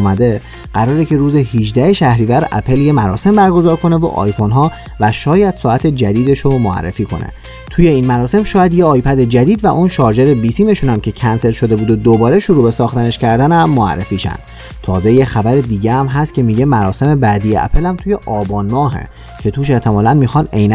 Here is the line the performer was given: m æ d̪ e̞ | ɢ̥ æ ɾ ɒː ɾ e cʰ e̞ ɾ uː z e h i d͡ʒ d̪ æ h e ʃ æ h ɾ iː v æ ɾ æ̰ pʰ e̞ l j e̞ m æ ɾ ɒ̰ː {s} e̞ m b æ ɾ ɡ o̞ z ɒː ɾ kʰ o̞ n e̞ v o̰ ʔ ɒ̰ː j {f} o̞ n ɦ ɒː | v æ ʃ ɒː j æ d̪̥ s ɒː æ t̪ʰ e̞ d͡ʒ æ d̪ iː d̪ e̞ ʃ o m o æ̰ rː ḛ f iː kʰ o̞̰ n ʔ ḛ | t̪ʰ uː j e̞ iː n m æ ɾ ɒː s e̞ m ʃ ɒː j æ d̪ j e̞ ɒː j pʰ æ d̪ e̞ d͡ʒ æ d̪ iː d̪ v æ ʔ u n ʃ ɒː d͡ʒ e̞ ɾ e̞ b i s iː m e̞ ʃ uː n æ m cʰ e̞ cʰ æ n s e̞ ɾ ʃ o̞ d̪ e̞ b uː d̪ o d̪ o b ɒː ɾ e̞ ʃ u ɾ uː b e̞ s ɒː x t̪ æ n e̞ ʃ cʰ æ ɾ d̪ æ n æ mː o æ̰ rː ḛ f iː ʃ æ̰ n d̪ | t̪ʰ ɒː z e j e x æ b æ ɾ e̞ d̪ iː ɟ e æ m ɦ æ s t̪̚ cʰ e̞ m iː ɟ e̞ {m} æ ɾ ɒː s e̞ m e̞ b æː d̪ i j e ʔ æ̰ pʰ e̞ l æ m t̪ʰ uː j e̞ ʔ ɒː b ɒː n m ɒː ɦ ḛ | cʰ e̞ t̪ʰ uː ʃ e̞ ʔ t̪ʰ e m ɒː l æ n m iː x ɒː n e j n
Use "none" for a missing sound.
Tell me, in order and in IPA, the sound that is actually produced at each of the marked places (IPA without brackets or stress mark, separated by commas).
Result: s, f, m